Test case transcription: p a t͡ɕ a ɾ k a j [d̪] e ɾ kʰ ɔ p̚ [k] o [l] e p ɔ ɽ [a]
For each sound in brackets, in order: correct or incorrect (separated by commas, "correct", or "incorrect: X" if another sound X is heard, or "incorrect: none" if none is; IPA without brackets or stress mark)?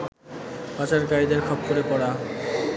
correct, correct, incorrect: ɾ, correct